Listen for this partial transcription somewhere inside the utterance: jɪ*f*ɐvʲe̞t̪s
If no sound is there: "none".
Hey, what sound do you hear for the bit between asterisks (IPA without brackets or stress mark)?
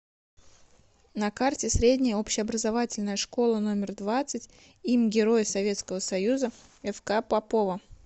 s